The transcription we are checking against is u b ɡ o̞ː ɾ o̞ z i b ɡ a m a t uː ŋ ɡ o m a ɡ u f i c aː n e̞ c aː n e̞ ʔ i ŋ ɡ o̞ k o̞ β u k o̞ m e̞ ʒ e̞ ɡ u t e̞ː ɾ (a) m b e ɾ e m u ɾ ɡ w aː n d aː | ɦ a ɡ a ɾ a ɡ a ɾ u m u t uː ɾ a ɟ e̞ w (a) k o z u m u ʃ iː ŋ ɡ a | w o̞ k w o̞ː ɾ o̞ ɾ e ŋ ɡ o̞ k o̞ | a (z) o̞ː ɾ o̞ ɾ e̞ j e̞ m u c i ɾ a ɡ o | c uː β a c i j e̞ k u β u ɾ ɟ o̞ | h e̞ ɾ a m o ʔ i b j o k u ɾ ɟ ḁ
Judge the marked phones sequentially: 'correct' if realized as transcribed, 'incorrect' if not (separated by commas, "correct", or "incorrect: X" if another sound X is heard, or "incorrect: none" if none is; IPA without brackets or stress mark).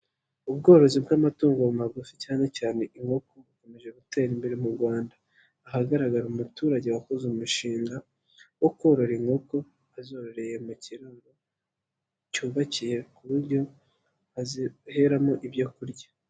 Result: incorrect: i, correct, correct